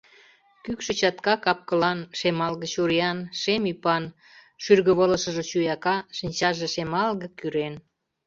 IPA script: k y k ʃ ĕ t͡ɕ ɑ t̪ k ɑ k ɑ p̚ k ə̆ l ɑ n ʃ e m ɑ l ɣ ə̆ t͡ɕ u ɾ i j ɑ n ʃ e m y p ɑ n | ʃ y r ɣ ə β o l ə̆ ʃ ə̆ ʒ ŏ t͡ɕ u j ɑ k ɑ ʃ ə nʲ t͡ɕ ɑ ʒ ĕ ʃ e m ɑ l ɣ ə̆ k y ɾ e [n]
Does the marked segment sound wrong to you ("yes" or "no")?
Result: no